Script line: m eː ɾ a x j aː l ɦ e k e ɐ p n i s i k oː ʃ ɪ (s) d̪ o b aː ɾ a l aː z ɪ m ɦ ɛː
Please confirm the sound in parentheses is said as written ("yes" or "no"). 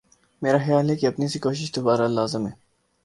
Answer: no